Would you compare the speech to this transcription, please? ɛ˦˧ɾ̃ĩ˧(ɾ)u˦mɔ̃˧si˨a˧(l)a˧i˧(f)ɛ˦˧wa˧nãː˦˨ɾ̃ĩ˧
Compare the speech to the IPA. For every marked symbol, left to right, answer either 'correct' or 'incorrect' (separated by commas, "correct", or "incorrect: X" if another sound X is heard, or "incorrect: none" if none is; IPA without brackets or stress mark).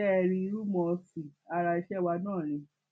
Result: correct, incorrect: ɾ, incorrect: ʃ